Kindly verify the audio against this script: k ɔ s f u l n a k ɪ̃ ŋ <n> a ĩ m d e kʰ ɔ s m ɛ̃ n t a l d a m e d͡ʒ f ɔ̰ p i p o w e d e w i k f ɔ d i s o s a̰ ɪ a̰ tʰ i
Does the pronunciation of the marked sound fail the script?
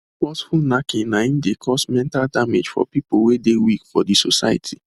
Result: no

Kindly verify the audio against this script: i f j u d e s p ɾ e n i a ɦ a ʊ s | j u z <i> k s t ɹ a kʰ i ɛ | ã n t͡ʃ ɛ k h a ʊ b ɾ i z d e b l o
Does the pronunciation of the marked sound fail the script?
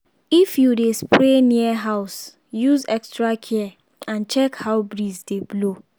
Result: yes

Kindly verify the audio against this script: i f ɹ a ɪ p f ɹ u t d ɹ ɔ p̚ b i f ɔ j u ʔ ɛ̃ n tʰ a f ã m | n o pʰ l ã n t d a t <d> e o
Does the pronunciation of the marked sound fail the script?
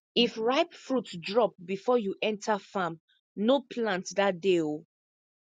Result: no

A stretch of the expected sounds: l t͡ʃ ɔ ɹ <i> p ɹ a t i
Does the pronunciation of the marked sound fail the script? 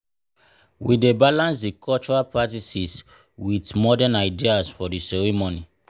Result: yes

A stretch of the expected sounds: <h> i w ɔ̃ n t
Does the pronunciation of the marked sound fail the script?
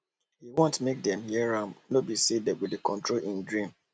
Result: no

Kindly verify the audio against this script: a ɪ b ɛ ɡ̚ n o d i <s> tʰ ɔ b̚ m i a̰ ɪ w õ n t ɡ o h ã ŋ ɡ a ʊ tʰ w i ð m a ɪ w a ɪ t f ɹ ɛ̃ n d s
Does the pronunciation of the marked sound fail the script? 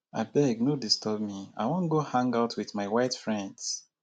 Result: no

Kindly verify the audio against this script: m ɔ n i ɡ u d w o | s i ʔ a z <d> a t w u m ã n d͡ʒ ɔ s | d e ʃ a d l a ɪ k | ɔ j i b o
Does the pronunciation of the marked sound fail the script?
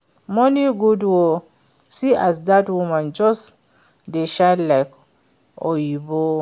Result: no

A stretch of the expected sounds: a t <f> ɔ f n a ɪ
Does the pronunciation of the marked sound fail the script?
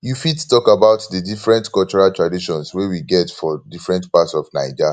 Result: yes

